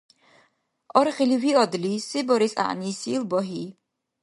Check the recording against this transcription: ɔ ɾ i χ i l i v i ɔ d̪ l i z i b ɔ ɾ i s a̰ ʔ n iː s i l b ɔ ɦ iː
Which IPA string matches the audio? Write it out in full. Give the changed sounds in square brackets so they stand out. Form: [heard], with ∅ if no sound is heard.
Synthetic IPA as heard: ɔ ɾ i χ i l i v i ɔ d̪ l i [s] i b ɔ ɾ i s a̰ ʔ n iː s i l b ɔ ɦ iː